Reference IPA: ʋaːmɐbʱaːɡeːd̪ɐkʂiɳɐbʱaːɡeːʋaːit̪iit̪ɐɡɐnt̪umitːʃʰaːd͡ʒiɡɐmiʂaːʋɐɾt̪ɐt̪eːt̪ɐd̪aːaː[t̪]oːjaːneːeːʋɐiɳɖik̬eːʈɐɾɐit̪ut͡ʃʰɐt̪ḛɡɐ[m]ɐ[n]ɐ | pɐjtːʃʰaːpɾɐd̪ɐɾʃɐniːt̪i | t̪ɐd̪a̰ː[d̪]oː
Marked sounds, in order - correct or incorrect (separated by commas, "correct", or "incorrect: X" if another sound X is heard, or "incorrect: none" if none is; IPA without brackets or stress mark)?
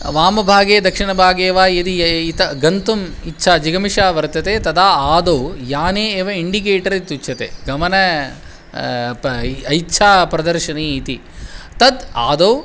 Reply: incorrect: d̪, correct, correct, correct